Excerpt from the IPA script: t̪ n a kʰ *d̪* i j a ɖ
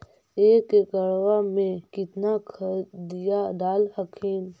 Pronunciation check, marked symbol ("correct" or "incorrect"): correct